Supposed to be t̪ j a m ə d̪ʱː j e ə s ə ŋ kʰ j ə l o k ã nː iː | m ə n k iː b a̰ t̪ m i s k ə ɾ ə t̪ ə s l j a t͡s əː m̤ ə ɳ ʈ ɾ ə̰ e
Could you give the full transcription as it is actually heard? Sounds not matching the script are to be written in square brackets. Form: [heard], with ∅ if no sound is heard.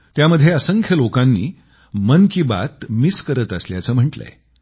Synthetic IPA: t̪ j a m ə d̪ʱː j e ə s ə ŋ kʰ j ə l o k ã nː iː | m ə n k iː b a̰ t̪ m i s k ə ɾ ə t̪ ə s l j a t͡s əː m̤ ə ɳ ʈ [l] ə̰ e